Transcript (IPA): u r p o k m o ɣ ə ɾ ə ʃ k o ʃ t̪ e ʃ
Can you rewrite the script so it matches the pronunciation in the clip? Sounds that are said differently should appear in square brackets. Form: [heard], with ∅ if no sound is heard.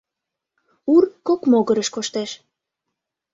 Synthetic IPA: u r [k] o k m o ɣ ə ɾ ə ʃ k o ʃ t̪ e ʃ